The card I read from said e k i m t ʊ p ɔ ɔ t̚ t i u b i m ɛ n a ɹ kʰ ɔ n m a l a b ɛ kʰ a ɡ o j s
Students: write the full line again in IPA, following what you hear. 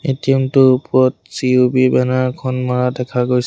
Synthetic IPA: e t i m t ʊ p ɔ ɔ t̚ s i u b i b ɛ n a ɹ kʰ ɔ n m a ɹ a d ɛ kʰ a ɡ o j s